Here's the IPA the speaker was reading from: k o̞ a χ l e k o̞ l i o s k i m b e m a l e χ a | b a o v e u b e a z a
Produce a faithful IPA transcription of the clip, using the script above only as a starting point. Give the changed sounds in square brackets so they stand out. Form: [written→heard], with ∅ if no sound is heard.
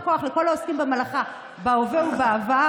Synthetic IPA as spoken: k o̞ a χ l e k o̞ l [i→a] o s k i m b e m a l [e→a] χ a | b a o v e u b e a [z→v] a